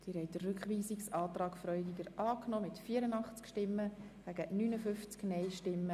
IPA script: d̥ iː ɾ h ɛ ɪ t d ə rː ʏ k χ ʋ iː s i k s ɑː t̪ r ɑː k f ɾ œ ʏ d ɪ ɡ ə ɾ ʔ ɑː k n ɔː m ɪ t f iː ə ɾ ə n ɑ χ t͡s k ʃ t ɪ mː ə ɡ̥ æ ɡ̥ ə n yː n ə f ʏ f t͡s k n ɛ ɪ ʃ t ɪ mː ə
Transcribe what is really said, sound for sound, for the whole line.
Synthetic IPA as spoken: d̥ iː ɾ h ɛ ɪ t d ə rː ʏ k χ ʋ iː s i k s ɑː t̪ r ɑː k f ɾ œ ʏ d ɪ ɡ ə ɾ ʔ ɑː k n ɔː m ɪ t f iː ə ɾ ə n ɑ χ t͡s k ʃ t ɪ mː ə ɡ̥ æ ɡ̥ ə n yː n ə f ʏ f t͡s k n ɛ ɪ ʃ t ɪ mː ə